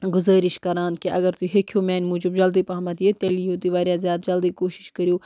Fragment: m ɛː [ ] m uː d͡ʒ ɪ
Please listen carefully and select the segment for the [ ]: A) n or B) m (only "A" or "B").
A